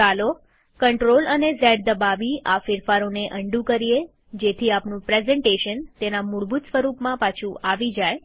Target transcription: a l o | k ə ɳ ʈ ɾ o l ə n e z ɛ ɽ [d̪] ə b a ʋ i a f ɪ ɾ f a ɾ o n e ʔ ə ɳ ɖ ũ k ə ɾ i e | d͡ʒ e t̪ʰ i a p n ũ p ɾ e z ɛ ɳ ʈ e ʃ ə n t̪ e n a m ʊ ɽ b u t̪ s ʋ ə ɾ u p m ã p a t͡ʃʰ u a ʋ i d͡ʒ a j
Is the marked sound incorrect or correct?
correct